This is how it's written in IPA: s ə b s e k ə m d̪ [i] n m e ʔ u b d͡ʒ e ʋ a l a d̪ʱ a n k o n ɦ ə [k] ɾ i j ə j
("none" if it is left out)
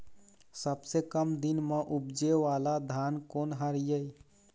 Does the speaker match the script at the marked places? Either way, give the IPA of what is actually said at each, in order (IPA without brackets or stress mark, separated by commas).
i, none